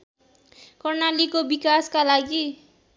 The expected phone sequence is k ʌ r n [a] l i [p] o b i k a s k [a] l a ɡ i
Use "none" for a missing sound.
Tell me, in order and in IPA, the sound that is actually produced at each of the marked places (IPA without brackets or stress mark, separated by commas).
a, k, a